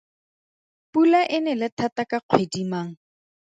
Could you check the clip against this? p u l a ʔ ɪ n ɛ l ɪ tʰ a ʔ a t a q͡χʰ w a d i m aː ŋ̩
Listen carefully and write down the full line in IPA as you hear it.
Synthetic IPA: p u l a ʔ ɪ n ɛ l ɪ tʰ a t a k a q͡χʰ w e d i m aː ŋ̩